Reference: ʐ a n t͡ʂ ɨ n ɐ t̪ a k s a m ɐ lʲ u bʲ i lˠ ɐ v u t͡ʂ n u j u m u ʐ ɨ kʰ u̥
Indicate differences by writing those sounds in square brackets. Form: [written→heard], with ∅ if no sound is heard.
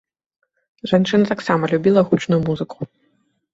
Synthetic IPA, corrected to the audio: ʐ a n t͡ʂ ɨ n ɐ t̪ a k s a m ɐ lʲ u bʲ i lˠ ɐ [v→ɣ] u t͡ʂ n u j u m u [ʐ→z] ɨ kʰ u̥